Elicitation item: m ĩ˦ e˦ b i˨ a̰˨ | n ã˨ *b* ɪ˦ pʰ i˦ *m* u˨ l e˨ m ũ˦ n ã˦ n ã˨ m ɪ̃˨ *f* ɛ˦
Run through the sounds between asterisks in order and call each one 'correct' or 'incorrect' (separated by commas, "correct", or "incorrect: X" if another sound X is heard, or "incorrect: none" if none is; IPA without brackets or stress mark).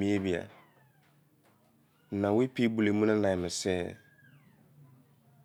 incorrect: w, incorrect: b, incorrect: s